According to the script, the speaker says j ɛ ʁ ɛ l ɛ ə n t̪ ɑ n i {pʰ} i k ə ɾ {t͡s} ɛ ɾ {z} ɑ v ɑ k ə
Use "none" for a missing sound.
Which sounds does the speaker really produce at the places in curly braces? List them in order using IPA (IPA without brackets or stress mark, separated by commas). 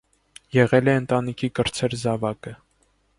kʰ, t͡sʰ, z